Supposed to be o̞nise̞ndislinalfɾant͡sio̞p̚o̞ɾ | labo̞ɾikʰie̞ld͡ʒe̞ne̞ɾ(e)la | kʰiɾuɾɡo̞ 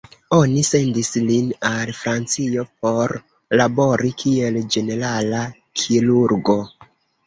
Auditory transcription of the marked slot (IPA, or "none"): a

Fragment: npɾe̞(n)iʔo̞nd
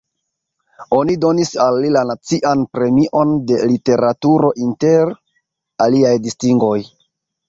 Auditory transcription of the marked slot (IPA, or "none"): m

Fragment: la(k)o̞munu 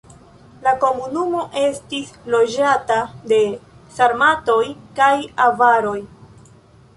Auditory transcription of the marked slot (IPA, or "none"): k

